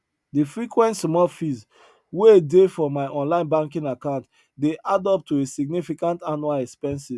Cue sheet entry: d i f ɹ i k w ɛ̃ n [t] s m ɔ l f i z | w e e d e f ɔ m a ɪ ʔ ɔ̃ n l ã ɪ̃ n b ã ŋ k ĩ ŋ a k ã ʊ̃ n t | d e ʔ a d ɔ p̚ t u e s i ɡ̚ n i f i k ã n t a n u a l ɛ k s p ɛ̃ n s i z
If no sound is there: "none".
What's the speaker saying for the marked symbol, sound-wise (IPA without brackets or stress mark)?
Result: t